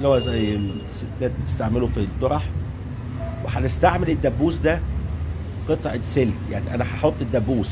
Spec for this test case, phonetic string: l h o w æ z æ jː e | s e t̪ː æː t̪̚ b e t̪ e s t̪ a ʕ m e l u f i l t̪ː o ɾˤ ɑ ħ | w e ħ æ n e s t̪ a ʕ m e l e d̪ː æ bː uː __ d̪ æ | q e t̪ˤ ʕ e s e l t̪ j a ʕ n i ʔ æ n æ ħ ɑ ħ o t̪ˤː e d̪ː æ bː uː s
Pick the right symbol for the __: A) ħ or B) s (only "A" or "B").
B